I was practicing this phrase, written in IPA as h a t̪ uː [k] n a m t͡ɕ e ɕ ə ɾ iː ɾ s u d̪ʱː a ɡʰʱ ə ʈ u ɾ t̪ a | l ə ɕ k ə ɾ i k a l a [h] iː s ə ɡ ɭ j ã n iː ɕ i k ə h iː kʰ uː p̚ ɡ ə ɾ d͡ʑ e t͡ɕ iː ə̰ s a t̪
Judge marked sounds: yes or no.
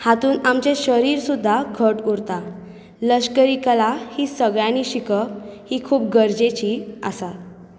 no, yes

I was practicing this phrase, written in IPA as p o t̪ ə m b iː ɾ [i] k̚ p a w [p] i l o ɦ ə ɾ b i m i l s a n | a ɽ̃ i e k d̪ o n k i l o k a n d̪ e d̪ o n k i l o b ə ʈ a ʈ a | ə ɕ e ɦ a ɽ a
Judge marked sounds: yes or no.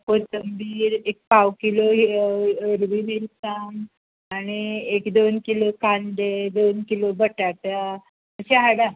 no, no

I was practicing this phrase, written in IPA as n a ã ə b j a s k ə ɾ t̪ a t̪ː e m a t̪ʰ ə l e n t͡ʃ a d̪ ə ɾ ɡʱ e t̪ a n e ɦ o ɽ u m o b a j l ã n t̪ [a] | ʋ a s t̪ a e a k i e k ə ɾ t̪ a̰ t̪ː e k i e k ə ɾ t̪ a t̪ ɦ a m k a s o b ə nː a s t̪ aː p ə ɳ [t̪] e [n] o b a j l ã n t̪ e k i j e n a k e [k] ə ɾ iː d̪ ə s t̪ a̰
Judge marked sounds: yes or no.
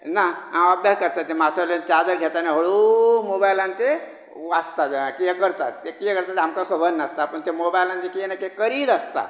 no, yes, no, yes

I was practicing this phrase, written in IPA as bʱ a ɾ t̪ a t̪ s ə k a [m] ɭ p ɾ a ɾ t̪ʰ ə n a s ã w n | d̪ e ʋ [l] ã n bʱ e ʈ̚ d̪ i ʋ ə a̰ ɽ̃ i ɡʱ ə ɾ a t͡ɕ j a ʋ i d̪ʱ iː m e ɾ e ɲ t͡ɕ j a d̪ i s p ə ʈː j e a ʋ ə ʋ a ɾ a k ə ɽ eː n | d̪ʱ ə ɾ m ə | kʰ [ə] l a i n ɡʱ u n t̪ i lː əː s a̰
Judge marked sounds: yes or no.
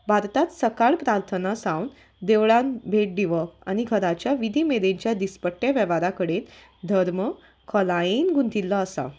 no, no, yes

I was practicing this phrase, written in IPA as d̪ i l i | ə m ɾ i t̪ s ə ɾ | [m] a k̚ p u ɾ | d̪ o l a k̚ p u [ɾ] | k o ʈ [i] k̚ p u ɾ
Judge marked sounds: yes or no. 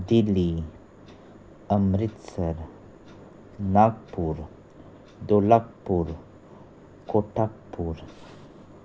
no, yes, no

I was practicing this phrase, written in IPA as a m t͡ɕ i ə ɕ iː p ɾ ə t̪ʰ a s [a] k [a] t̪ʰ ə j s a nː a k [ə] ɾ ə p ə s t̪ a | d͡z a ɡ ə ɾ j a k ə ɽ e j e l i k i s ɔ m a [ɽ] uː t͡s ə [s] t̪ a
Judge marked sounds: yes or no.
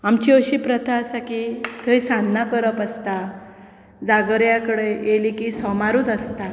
yes, no, yes, no, yes

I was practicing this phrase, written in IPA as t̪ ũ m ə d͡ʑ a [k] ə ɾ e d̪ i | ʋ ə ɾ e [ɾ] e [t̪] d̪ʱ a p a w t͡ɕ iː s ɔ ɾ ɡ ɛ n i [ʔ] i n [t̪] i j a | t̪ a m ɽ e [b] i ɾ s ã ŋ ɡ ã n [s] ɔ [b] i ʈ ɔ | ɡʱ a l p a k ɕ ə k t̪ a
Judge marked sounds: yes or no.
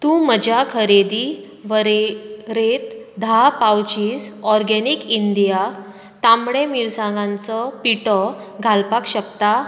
no, yes, yes, no, no, no, no, no

